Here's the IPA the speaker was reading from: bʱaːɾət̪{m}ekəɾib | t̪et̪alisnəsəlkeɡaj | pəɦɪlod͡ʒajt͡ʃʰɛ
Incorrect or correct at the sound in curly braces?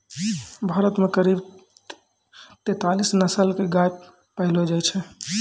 correct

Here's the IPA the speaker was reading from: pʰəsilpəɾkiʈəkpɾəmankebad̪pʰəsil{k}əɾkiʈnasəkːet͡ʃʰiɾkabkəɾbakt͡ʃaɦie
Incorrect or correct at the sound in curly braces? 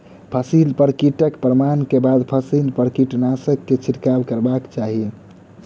incorrect: p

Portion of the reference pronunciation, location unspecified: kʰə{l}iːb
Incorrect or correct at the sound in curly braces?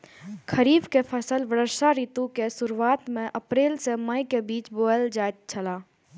incorrect: ɾ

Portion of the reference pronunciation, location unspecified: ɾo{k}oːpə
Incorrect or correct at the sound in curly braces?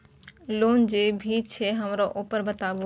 incorrect: ʔ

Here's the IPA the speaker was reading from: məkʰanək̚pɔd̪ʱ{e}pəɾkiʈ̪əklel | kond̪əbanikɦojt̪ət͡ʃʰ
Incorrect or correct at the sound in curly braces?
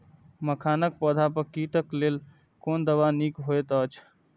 incorrect: a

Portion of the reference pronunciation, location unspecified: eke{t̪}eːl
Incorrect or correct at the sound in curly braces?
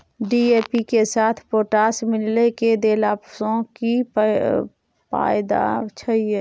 incorrect: d̪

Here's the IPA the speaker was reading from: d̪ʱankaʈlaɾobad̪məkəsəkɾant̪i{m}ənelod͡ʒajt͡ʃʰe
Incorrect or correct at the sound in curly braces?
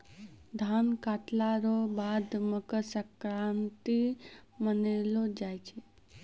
correct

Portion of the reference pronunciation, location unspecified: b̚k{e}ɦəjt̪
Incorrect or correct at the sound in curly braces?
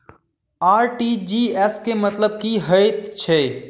incorrect: i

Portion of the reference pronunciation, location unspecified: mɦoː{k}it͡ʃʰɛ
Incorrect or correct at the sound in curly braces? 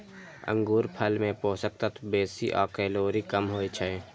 incorrect: none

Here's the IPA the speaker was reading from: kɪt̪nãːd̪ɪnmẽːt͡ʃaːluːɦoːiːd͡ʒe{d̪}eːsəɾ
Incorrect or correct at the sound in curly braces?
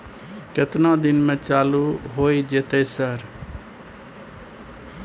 incorrect: t̪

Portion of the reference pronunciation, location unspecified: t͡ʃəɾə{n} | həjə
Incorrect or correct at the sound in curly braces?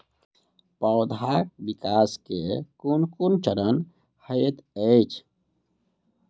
correct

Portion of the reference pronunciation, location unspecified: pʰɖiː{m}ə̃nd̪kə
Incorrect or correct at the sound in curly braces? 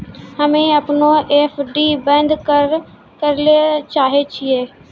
incorrect: b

